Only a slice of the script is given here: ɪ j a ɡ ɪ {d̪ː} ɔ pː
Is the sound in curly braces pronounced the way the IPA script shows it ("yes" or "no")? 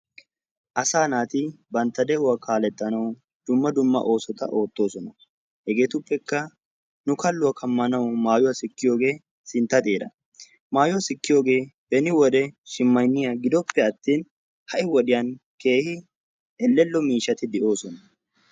no